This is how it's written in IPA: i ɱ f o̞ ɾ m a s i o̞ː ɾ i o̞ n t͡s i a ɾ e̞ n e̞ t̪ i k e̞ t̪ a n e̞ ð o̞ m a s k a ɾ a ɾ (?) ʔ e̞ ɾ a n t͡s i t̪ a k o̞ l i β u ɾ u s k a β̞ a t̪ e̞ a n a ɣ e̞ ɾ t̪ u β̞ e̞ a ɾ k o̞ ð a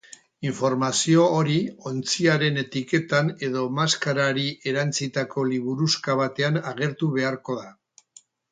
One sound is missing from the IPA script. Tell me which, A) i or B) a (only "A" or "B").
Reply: A